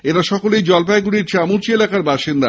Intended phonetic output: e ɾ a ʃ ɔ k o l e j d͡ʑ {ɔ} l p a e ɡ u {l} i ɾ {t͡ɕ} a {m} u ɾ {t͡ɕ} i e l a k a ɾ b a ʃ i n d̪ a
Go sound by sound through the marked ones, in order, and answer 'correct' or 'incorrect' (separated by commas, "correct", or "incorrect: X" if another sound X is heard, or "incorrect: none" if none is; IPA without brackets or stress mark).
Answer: correct, incorrect: ɽ, correct, correct, correct